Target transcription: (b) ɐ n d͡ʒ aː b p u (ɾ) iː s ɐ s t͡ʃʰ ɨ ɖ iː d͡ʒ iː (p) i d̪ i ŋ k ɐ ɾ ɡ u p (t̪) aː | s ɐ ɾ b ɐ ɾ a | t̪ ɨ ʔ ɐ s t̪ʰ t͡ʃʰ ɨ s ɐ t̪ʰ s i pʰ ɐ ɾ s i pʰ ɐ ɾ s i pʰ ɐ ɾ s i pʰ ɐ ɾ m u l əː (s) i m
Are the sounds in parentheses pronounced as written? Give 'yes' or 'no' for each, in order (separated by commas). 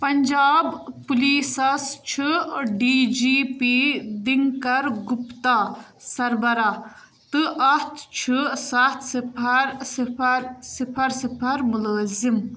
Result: no, no, yes, yes, no